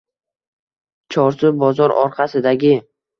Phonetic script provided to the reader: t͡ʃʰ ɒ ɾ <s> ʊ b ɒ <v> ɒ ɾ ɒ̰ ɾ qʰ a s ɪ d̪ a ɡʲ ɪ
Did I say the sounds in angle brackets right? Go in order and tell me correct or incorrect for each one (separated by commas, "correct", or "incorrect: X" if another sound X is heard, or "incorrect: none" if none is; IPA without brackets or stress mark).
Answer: correct, incorrect: z